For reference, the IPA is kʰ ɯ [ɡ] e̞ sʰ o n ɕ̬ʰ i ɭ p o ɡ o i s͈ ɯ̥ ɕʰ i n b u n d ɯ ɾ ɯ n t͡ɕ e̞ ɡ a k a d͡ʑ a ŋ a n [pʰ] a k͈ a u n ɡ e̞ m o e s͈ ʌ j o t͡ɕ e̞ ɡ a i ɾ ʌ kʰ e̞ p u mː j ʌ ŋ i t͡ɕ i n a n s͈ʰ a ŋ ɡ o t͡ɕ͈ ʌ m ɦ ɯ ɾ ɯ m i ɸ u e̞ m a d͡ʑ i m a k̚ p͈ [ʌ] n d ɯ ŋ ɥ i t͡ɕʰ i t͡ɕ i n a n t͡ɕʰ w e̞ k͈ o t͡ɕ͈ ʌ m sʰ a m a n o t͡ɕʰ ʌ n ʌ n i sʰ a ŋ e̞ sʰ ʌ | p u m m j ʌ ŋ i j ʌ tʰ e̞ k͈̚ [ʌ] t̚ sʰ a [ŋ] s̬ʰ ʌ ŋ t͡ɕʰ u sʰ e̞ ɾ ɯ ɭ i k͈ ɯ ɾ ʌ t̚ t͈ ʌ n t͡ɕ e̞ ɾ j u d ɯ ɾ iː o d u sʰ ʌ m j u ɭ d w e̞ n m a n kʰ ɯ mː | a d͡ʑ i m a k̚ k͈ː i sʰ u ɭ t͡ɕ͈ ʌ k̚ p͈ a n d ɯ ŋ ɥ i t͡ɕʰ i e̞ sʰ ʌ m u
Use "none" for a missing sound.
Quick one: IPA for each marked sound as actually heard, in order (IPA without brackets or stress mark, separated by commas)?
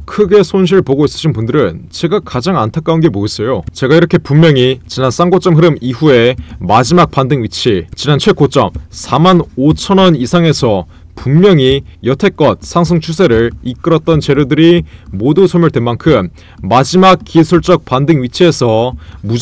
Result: ɡ, tʰ, a, ʌ, ŋ